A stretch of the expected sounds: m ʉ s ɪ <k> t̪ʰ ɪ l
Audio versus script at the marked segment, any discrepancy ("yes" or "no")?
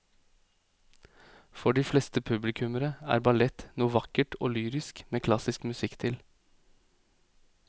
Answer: no